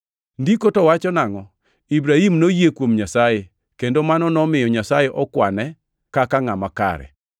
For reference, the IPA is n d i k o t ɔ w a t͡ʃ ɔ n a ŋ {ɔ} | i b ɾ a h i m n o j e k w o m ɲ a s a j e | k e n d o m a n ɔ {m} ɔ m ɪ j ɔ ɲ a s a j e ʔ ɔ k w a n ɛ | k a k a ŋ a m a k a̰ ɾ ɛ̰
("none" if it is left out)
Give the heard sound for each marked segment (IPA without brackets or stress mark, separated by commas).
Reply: ɔ, n